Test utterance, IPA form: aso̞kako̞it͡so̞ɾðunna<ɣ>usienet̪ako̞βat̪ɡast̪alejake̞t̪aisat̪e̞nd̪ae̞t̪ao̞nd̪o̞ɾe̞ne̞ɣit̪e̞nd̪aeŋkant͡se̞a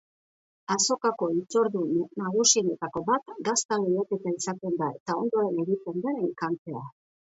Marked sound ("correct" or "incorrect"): correct